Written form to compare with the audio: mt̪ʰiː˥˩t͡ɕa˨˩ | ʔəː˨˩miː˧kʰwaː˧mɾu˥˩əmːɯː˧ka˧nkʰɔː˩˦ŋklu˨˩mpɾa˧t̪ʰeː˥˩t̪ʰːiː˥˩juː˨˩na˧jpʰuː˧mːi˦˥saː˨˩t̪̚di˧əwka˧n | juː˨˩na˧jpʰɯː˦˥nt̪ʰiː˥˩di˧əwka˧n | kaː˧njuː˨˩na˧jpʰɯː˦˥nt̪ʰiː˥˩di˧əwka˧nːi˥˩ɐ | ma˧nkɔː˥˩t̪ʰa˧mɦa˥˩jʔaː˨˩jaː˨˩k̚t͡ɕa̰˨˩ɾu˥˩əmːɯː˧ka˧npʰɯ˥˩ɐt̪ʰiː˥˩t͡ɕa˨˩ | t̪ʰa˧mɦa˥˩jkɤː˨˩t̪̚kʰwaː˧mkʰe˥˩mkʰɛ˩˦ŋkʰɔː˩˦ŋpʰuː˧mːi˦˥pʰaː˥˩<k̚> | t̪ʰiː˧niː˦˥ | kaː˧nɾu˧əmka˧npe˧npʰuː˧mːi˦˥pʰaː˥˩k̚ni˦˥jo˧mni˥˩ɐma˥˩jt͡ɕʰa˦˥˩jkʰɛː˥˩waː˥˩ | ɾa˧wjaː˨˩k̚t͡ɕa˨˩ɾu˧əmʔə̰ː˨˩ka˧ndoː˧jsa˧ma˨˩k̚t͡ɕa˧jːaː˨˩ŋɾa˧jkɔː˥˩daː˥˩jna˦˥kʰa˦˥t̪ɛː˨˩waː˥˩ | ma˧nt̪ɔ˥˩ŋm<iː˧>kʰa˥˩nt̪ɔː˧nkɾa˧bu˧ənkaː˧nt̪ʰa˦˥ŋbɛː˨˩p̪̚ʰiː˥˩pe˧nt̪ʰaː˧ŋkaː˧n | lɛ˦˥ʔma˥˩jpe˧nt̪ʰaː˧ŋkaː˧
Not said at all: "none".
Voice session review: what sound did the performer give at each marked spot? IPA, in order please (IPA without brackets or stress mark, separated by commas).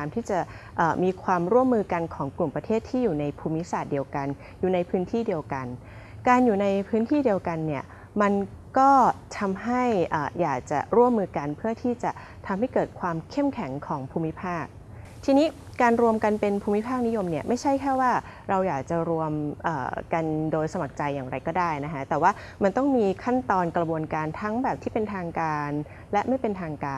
k̚, iː˧